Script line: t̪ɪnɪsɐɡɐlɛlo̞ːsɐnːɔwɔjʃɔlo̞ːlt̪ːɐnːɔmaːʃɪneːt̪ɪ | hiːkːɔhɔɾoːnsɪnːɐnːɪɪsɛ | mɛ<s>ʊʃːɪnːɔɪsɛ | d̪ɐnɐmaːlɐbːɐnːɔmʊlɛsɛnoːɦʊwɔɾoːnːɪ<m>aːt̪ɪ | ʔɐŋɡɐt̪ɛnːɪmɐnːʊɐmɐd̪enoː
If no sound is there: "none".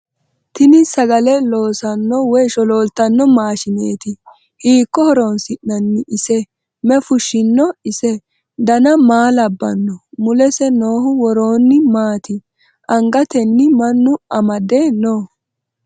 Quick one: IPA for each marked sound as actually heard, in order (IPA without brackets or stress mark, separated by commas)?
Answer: f, m